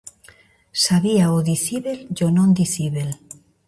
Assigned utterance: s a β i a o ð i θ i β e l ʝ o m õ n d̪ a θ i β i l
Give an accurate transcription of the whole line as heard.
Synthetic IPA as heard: s a β i a o ð i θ i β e l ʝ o n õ n d̪ i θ i β e l